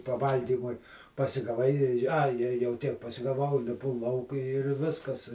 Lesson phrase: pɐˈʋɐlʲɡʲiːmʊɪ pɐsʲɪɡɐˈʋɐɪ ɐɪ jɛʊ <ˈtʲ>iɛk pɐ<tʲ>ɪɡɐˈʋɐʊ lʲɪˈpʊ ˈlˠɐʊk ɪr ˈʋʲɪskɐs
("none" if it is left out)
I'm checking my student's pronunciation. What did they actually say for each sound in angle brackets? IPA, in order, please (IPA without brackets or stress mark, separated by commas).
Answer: tʲ, sʲ